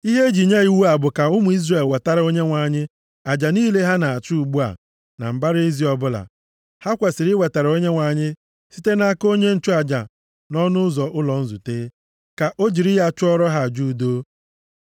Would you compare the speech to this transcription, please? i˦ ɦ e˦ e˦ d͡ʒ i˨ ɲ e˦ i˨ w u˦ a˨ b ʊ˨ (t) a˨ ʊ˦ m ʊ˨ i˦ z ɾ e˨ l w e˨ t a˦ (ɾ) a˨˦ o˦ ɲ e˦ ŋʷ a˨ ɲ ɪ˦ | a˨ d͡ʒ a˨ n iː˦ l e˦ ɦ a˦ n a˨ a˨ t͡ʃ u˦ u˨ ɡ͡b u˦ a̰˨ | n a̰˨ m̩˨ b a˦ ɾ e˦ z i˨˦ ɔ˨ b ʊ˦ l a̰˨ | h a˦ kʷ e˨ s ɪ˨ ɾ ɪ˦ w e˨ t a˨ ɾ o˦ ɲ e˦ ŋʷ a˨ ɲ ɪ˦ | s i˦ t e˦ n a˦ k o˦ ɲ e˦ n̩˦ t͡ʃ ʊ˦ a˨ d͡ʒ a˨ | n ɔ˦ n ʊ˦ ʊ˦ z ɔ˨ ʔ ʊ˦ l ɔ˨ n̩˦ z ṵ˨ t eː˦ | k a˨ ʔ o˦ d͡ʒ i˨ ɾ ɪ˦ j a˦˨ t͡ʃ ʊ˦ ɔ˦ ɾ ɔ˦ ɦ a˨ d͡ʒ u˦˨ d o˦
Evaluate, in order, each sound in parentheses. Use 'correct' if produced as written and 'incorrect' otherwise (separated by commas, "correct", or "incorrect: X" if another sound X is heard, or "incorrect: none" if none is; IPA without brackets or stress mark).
incorrect: k, correct